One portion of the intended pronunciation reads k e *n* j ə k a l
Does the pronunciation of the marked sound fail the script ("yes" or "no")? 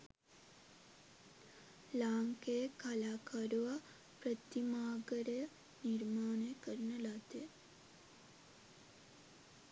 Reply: yes